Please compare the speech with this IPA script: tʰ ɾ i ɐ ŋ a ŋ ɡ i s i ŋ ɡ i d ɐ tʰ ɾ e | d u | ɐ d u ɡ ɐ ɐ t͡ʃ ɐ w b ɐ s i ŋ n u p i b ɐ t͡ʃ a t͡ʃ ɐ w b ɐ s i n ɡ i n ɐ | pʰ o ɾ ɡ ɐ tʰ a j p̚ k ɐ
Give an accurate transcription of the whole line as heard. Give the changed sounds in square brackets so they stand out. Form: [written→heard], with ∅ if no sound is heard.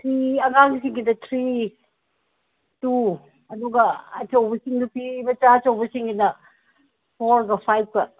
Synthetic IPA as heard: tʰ ɾ i ɐ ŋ a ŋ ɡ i s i ŋ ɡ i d ɐ tʰ ɾ [e→i] | [d→t] u | ɐ d u ɡ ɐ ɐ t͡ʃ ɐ w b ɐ s i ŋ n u p i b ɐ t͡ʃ a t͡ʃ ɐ w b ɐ s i [n→ŋ] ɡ i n ɐ | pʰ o ɾ ɡ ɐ [tʰ→pʰ] a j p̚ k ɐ